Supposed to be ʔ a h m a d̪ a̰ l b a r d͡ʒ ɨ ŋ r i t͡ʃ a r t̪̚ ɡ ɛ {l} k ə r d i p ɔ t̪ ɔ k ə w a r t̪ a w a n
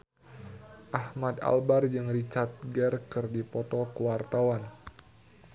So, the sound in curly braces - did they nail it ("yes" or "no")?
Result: no